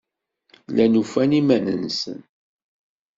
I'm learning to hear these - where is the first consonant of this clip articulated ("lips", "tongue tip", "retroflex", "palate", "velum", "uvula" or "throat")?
tongue tip